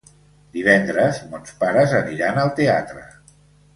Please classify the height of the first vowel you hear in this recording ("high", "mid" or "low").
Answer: high